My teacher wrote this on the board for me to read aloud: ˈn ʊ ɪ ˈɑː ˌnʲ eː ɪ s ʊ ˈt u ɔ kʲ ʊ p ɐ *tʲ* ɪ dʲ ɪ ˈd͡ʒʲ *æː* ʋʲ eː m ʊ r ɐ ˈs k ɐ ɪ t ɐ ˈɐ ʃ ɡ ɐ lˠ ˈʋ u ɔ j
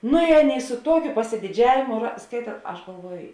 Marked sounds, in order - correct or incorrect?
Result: incorrect: sʲ, correct

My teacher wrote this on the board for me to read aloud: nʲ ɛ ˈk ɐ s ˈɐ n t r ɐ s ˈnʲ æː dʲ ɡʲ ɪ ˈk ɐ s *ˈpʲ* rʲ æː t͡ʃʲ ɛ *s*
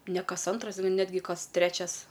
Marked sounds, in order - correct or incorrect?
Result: incorrect: tʲ, correct

